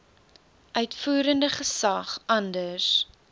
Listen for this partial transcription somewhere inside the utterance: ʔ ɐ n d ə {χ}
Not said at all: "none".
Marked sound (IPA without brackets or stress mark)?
s